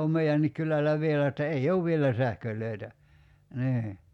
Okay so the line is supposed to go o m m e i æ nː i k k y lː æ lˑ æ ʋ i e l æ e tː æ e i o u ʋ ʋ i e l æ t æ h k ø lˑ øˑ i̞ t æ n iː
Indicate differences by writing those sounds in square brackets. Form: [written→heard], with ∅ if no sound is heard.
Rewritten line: o m m e i æ nː i k k y [lː→l] æ lˑ æ ʋ i e l æ e tː æ e i o u ʋ ʋ i e l æ [t→s] æ h k ø lˑ øˑ i̞ t æ n iː